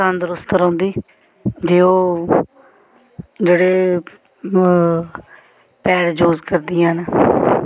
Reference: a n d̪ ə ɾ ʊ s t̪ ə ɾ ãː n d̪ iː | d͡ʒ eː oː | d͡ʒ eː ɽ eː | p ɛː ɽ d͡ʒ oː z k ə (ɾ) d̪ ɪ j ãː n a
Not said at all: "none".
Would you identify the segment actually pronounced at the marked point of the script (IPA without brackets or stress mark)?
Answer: ɾ